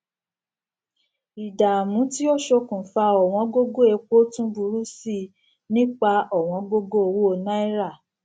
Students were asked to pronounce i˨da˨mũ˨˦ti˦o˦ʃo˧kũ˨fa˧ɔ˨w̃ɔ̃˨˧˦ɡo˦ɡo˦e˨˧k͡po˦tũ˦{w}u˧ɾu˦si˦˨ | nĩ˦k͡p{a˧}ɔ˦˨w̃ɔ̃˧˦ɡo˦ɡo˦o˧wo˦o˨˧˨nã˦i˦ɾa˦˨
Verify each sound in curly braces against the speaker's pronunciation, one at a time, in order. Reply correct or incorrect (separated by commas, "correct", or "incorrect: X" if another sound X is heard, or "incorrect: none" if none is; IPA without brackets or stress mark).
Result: incorrect: b, correct